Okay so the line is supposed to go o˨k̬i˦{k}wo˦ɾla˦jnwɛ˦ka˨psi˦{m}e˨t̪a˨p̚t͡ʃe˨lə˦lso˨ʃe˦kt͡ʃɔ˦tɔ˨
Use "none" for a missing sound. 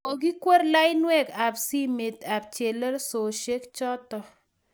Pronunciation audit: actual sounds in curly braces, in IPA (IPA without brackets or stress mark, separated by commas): k, m